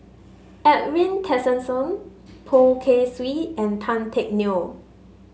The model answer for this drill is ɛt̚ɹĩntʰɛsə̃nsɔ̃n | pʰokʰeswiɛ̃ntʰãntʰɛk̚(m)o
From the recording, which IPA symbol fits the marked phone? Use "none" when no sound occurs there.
n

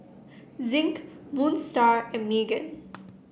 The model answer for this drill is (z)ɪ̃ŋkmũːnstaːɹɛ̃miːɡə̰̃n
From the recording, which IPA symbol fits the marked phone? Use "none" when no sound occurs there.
z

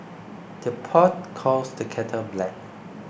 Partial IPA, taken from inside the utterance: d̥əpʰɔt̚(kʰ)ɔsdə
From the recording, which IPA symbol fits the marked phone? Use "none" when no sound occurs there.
kʰ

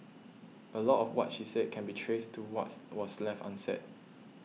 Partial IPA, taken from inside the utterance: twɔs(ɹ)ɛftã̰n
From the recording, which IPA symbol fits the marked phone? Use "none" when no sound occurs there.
l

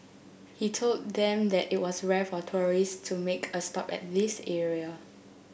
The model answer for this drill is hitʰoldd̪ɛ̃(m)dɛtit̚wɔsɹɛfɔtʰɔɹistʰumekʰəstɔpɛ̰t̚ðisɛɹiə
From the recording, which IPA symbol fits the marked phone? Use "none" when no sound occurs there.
m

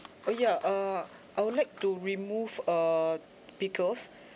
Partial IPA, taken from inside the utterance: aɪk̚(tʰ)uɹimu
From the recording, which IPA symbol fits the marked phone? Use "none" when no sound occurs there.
t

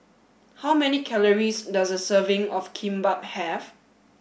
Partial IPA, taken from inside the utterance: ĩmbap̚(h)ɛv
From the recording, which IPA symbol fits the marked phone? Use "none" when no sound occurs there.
h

